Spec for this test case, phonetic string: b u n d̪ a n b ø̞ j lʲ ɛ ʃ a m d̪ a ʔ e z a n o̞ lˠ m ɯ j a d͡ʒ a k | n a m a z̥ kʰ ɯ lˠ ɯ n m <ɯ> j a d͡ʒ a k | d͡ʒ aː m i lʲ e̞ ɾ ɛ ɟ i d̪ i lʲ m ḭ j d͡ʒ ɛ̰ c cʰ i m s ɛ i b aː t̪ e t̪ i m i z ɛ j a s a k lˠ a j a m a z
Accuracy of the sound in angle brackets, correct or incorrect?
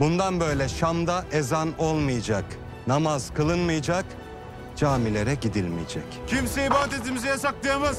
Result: correct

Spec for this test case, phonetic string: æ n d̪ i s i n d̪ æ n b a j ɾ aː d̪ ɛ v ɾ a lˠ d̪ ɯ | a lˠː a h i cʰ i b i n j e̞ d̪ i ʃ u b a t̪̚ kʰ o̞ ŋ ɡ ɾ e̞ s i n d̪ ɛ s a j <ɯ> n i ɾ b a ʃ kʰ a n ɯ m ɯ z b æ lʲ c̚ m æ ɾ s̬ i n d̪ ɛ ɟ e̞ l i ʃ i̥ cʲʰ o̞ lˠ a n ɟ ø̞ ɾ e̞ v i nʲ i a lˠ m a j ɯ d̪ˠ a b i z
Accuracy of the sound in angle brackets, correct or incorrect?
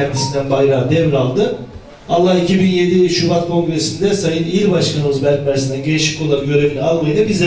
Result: correct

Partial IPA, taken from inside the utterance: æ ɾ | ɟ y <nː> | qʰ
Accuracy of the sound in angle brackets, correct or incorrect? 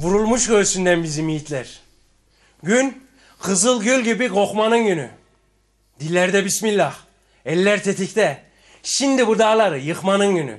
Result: incorrect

